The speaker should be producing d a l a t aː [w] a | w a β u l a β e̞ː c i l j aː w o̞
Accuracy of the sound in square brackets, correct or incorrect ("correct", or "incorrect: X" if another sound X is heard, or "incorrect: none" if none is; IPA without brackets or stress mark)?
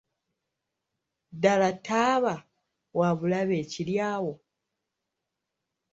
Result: incorrect: β